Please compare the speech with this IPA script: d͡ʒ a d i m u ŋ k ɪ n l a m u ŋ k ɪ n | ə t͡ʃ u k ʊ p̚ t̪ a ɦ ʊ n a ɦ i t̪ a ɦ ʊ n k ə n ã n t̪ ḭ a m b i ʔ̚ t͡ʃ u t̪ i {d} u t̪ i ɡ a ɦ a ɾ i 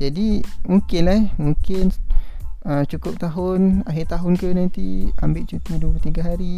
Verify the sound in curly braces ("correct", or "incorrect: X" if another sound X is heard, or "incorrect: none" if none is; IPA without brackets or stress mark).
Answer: correct